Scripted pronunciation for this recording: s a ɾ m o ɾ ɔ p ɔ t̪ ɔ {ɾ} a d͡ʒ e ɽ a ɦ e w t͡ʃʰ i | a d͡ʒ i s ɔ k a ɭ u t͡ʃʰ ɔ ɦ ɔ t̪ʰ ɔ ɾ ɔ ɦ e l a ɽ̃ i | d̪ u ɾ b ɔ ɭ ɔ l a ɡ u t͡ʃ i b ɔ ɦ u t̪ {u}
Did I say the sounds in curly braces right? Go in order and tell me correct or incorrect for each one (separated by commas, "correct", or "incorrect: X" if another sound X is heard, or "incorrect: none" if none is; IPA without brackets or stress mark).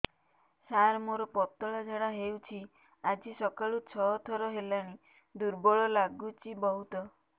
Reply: incorrect: ɭ, incorrect: ɔ